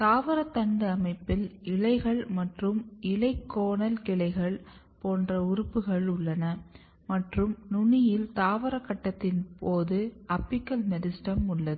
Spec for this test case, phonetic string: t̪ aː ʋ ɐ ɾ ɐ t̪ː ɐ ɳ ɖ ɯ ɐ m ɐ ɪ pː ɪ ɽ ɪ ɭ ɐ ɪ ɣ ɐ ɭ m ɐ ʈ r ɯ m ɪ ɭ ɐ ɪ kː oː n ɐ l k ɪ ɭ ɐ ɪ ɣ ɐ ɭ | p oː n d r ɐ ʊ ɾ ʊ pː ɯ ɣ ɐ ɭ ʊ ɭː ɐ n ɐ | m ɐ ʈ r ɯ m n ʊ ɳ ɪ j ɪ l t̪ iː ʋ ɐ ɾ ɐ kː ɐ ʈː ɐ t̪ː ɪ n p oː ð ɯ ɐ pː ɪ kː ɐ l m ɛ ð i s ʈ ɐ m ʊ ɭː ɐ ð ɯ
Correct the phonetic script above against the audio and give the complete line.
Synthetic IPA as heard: t̪ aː ʋ ɐ ɾ ɐ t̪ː ɐ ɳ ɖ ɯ ɐ m ɐ ɪ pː ɪ l ɪ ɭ ɐ ɪ ɣ ɐ ɭ m ɐ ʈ r ɯ m ɪ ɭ ɐ ɪ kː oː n ɐ l k ɪ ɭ ɐ ɪ ɣ ɐ ɭ | p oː n d r ɐ ʊ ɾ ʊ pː ɯ ɣ ɐ ɭ ʊ ɭː ɐ n ɐ | m ɐ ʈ r ɯ m n ʊ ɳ ɪ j ɪ l t̪ aː ʋ ɐ ɾ ɐ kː ɐ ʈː ɐ t̪ː ɪ n p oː ð ɯ ɐ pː ɪ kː ɐ l m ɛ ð ɪ s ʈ ɐ m ʊ ɭː ɐ ð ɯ